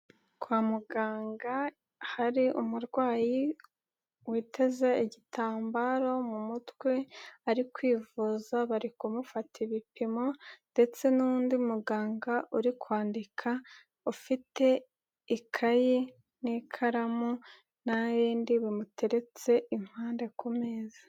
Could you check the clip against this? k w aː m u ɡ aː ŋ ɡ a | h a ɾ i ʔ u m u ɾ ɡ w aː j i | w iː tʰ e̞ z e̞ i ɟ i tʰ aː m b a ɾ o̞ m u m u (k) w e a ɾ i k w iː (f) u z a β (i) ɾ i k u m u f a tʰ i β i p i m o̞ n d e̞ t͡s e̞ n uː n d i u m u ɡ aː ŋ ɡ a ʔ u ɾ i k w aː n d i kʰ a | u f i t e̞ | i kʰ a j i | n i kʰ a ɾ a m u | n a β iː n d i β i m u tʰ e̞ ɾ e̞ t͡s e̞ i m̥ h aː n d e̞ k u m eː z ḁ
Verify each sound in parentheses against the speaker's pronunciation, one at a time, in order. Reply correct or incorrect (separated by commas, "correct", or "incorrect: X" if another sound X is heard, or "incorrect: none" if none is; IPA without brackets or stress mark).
incorrect: t, incorrect: v, incorrect: a